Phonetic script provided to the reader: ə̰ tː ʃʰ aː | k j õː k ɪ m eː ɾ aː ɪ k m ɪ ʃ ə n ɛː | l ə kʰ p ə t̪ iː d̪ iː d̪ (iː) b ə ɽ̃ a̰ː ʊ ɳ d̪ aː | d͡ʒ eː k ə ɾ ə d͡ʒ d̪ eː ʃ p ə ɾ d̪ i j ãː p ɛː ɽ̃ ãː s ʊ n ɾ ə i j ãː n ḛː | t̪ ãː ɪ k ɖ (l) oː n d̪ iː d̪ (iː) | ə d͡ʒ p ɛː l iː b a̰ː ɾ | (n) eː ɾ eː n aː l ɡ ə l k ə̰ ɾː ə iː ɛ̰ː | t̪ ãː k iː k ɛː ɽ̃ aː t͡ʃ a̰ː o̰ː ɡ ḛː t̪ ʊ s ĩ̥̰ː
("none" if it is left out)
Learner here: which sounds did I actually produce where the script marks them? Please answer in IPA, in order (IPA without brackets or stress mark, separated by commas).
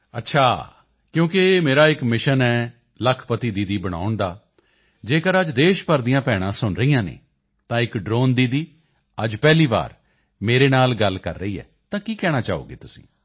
iː, ɾ, iː, m